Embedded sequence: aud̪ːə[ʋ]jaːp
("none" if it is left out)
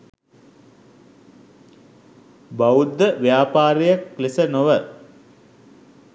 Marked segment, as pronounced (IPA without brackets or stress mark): ʋ